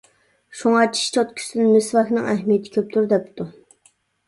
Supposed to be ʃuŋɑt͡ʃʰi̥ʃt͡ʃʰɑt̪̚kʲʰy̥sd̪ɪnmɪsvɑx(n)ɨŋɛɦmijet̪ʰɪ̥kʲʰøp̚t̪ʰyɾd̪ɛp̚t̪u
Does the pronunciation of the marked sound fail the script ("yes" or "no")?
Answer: no